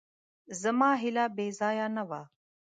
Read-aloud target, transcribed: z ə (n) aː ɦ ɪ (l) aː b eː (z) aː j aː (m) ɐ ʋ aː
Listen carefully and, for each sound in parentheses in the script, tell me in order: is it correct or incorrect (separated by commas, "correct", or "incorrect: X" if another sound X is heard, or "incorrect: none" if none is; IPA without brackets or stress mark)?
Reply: incorrect: m, correct, correct, incorrect: n